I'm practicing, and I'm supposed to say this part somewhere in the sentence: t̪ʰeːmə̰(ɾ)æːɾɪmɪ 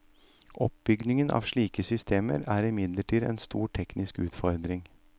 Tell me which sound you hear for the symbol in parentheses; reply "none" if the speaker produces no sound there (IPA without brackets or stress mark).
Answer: ɾ